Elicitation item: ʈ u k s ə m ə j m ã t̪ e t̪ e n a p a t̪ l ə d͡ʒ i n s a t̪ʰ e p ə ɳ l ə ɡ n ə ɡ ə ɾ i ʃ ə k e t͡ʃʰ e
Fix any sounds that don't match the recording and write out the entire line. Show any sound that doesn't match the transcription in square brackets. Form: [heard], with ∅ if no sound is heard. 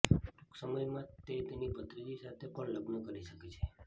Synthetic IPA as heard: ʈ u k s ə m ə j m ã t̪ e t̪ e n [i] p [ə] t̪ [ɾ] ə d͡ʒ i [∅] s a t̪ʰ e p ə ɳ l ə ɡ n ə [k] ə ɾ i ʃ ə k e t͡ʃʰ e